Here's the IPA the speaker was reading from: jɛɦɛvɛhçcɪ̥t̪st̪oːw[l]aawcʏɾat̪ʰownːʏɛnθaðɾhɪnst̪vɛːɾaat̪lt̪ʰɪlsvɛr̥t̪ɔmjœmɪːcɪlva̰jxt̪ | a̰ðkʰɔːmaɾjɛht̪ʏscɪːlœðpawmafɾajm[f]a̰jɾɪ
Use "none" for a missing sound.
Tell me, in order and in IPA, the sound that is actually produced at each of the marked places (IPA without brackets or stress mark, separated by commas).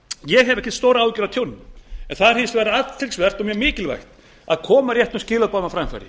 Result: ɾ, f